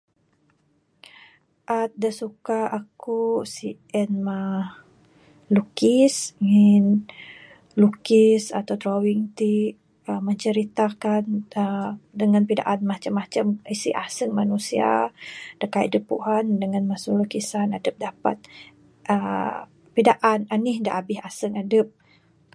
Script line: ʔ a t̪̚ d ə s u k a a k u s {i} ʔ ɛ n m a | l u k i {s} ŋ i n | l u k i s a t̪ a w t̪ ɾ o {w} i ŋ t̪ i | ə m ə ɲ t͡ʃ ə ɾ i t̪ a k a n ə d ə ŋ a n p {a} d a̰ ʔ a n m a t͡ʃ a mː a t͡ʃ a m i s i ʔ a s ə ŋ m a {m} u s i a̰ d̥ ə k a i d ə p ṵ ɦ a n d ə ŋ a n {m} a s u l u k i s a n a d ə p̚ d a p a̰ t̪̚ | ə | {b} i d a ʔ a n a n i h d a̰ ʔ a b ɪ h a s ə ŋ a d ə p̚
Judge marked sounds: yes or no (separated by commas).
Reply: yes, yes, yes, no, no, yes, no